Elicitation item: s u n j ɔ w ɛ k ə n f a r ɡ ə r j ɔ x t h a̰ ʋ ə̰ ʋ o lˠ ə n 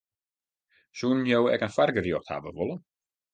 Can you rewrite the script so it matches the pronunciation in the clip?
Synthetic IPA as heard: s u n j o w ɛ k ə n f a r ɡ ə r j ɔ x t h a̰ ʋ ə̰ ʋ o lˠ ə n